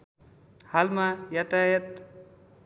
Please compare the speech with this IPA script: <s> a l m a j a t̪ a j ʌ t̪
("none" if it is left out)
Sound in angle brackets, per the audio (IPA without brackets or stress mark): h